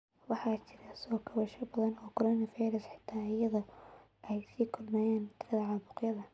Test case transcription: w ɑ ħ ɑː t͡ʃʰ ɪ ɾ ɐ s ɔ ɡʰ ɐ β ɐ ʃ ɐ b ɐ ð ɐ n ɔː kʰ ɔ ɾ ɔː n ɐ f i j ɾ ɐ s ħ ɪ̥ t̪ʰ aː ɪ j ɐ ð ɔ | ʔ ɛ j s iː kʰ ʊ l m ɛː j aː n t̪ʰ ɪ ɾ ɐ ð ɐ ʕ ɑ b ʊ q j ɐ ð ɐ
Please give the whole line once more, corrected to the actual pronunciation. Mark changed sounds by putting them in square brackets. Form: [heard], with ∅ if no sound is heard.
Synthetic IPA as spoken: w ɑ ħ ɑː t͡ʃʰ ɪ ɾ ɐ s [ɔː] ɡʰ ɐ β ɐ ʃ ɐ b ɐ ð ɐ n ɔː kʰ ɔ ɾ ɔː n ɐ f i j ɾ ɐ s ħ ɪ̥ t̪ʰ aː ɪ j ɐ ð ɔ | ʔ ɛ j s iː kʰ ʊ l m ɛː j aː n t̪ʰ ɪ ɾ ɐ ð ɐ ʕ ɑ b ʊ q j ɐ ð ɐ